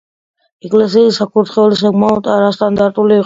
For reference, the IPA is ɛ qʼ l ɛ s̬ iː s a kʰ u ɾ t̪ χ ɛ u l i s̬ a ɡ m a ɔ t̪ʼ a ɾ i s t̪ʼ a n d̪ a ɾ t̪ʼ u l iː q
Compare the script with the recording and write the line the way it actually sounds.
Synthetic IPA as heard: ɛ kʼ l ɛ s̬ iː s a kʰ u ɾ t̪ χ ɛ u l i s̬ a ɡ m a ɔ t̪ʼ a ɾ a s t̪ʼ a n d̪ a ɾ t̪ʼ u l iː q